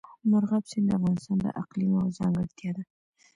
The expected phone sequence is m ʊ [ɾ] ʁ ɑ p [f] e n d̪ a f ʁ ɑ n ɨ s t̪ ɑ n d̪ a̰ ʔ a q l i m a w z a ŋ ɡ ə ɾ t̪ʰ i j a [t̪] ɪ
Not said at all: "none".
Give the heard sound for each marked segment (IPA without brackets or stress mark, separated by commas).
ɾ, s, d̪